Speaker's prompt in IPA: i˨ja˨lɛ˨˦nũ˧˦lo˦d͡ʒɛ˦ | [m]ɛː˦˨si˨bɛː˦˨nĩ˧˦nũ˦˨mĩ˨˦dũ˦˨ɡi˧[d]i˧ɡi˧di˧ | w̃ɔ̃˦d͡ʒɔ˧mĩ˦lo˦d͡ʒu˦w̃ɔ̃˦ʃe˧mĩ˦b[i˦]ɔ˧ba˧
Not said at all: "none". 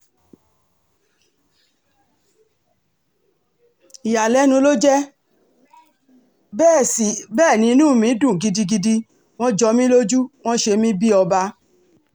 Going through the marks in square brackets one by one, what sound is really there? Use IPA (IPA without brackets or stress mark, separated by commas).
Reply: b, d, i˦